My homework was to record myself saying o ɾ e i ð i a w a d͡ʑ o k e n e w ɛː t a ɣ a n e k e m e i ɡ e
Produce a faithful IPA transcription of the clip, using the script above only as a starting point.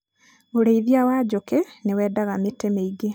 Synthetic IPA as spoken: o ɾ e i ð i a w a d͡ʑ o k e n e w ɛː d a ɣ a m e t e m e i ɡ e